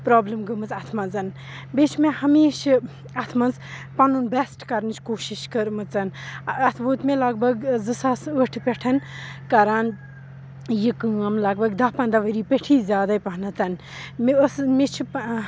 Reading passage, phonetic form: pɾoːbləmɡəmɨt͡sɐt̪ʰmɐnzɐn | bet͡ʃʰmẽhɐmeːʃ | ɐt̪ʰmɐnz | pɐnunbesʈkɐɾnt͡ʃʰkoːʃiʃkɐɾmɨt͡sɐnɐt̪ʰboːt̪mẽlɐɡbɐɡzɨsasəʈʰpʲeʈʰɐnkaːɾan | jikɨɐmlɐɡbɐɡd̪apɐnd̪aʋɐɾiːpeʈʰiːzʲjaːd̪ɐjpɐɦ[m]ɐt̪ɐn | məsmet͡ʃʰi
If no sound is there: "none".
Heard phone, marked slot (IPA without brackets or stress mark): n